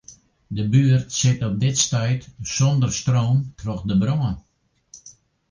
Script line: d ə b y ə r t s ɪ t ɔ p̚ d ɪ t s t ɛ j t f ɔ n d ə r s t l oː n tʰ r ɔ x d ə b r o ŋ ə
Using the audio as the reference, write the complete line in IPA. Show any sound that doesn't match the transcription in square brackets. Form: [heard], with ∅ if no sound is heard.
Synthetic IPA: d ə b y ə r t s ɪ t ɔ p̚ d ɪ t s t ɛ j t [s] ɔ n d ə r s t [r] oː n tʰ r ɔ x d ə b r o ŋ ə